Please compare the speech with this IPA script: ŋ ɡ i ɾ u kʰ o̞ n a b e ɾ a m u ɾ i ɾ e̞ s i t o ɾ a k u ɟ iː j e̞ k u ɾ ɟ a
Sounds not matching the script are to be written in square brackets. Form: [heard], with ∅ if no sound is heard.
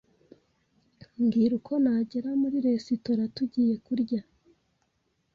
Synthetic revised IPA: ŋ ɡ i ɾ u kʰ o̞ n a [ɟ] e ɾ a m u ɾ i ɾ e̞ s i t o ɾ a [t] u ɟ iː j e̞ k u ɾ ɟ a